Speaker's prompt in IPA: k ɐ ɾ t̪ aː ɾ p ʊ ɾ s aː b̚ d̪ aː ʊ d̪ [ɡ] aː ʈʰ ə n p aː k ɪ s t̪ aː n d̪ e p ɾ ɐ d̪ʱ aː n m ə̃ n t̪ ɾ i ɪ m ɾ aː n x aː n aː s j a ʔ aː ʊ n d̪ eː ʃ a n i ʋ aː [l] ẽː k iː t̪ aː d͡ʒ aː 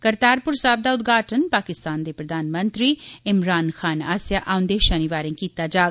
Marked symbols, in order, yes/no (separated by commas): yes, no